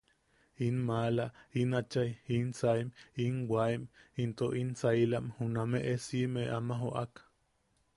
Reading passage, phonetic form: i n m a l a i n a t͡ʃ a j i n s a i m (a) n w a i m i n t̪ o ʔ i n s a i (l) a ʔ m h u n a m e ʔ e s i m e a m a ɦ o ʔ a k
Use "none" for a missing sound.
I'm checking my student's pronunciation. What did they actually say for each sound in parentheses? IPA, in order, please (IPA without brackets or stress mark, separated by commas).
i, l